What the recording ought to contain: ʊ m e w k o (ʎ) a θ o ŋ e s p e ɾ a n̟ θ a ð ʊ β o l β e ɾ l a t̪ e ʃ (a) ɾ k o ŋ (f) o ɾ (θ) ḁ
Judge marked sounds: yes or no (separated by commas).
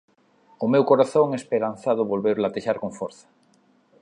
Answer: no, yes, yes, yes